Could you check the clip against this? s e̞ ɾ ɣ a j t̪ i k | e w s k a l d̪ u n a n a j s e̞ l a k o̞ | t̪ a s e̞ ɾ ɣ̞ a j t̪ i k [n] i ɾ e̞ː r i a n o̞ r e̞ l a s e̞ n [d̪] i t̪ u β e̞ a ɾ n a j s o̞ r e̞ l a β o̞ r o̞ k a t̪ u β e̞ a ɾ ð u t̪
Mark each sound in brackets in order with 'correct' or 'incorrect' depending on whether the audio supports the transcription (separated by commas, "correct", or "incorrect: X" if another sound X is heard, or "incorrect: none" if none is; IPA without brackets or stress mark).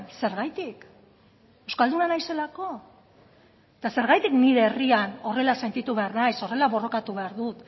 correct, incorrect: t̪